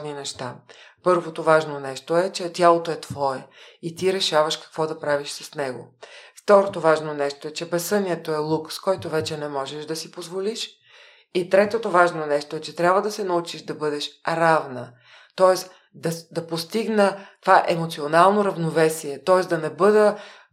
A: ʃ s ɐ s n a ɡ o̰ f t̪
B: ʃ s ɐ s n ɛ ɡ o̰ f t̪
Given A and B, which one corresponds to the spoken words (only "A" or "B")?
B